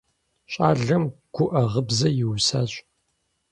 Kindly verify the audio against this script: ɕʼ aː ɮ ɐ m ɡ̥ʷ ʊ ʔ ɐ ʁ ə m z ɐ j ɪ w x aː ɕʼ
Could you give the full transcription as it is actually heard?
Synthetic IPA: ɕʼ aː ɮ ɐ m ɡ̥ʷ ʊ ʔ ɐ ʁ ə b z ɐ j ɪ w s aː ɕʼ